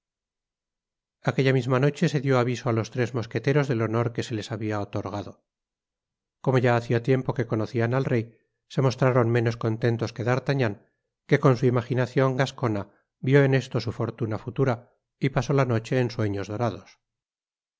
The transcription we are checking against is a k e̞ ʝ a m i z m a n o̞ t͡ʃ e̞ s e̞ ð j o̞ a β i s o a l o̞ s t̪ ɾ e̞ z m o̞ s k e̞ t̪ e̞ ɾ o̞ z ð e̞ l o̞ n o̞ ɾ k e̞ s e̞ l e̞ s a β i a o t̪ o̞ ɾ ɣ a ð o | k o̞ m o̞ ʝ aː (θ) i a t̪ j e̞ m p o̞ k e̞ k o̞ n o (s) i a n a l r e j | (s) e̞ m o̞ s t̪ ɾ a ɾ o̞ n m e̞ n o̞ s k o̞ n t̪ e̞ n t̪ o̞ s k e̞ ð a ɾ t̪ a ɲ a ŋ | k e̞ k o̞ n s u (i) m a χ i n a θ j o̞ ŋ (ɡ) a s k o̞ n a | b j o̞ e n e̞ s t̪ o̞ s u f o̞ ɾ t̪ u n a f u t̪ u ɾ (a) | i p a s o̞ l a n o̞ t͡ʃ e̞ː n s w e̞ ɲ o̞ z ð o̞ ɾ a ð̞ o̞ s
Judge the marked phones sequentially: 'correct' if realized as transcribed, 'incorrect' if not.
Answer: correct, incorrect: θ, correct, correct, correct, correct

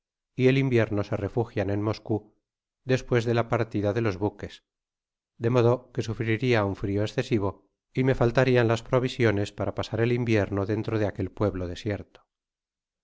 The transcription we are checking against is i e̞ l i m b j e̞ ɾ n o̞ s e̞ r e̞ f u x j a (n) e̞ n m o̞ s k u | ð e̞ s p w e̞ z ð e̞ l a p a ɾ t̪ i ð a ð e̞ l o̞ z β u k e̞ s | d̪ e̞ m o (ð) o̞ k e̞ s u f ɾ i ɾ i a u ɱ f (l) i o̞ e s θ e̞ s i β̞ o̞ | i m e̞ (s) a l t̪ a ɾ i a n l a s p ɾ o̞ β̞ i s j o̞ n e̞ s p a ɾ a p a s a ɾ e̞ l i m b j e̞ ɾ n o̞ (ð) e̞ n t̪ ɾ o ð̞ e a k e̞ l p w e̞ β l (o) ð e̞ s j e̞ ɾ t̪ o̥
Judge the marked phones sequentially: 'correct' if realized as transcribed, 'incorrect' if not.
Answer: correct, correct, incorrect: ɾ, incorrect: f, correct, correct

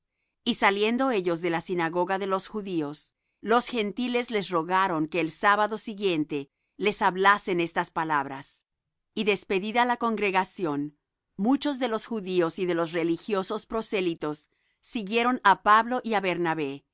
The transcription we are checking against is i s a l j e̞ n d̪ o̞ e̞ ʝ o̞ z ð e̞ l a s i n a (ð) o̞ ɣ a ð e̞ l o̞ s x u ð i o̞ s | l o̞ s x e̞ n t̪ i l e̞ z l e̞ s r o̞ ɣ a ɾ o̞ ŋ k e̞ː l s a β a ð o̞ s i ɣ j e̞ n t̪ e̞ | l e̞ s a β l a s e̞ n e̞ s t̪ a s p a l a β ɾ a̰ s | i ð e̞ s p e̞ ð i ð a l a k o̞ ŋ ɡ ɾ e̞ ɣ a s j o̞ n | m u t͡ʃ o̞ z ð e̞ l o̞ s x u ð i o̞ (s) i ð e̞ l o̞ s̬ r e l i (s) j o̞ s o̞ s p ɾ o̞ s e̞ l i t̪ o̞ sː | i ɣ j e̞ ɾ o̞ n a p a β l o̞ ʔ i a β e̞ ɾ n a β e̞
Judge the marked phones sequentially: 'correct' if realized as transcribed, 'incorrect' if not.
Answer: incorrect: ɣ, correct, incorrect: x

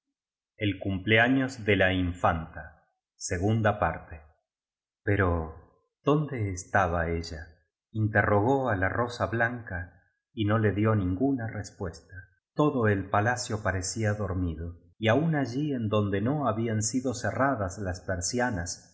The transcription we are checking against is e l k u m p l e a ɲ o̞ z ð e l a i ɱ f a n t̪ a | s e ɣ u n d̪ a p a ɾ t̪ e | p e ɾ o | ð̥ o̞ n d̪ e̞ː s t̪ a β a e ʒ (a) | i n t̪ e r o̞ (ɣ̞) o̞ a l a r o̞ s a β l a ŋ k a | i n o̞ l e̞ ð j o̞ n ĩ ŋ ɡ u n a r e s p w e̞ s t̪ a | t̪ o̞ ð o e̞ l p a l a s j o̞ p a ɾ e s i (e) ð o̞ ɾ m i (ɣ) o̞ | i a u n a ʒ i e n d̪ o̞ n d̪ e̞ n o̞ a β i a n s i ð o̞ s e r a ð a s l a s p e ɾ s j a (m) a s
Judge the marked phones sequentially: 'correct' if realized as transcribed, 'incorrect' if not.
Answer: correct, correct, incorrect: a, incorrect: ð, incorrect: n

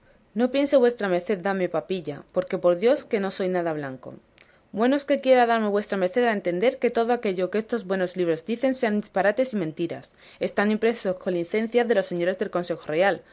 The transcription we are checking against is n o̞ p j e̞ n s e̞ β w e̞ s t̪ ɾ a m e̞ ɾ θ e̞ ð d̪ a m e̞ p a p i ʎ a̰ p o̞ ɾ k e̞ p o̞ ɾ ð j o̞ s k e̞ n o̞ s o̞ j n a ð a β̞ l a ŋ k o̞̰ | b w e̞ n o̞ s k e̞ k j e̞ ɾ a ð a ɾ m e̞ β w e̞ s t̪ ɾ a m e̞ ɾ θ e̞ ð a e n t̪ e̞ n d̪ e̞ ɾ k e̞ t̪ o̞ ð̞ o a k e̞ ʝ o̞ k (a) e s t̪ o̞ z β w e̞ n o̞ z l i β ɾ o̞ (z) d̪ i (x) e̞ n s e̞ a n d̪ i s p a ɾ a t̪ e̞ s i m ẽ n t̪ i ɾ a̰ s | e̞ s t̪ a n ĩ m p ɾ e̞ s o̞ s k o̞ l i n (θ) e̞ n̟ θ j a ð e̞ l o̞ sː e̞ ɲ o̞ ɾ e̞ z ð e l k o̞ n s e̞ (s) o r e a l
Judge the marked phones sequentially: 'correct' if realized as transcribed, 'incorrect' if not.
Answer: incorrect: e, correct, incorrect: θ, correct, incorrect: x

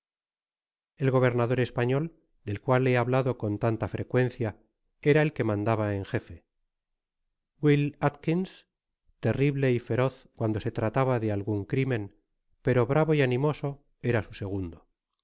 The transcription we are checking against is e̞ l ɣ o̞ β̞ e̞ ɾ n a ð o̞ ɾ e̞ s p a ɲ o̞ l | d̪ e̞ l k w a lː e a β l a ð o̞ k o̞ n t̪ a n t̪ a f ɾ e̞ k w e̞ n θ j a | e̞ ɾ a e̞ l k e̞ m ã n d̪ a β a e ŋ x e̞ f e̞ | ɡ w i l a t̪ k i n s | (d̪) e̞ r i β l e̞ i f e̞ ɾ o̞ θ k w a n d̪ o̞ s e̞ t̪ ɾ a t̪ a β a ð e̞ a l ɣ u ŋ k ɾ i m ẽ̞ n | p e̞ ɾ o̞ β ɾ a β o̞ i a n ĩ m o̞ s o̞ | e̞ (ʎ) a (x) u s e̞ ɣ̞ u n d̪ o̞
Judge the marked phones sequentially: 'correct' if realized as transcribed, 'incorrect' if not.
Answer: incorrect: t̪, incorrect: ɾ, incorrect: s

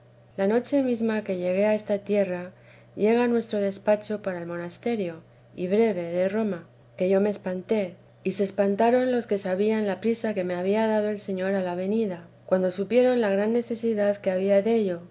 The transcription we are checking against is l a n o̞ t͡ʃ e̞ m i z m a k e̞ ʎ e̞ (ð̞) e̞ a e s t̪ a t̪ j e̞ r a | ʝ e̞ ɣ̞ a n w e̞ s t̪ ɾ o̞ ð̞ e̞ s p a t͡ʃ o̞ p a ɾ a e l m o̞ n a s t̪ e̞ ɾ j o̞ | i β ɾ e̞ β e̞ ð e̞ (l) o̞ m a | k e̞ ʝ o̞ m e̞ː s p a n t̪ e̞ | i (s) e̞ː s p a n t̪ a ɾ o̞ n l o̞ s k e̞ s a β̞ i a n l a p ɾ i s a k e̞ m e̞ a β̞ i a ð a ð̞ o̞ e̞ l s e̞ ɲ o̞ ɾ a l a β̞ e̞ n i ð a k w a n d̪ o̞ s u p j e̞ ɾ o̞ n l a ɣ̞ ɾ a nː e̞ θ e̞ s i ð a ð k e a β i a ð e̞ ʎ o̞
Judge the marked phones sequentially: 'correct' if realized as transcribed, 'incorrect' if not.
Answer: incorrect: ɣ̞, incorrect: r, correct

